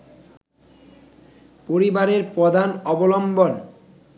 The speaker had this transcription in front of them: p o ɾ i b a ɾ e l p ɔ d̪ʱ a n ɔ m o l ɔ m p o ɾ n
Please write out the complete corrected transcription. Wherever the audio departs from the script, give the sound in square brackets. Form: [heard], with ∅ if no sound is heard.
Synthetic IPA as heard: p o ɾ i b a ɾ e [ɾ] p ɔ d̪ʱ a n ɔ [b] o l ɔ m [b] o [∅] n